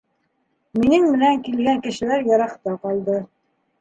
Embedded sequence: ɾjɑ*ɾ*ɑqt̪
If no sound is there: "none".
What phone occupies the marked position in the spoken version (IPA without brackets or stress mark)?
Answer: ɾ